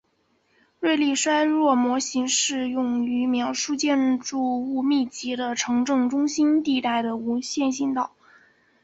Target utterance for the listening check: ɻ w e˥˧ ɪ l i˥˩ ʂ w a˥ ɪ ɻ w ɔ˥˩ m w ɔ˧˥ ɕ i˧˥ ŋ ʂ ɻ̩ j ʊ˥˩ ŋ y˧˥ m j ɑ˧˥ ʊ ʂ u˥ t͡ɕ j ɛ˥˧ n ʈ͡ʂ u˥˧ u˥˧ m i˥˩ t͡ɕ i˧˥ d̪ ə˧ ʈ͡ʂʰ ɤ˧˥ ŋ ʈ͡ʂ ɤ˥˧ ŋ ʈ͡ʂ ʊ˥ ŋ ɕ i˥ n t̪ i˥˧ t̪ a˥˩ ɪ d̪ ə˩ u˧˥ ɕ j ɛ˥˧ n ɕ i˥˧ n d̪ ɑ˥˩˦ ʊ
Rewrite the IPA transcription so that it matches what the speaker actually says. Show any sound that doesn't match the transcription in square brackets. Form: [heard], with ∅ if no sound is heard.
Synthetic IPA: ɻ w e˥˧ ɪ l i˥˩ ʂ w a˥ ɪ ɻ w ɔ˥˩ m w ɔ˧˥ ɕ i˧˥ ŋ ʂ ɻ̩ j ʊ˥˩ ŋ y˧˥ m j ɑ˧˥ ʊ ʂ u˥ t͡ɕ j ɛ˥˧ n ʈ͡ʂ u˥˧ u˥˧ m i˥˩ t͡ɕ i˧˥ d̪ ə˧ ʈ͡ʂʰ ɤ˧˥ ŋ ʈ͡ʂ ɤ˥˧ ŋ ʈ͡ʂ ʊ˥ ŋ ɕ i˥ n t̪ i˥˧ t̪ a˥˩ ɪ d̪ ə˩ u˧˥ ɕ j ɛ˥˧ n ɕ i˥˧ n [t̪] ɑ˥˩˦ ʊ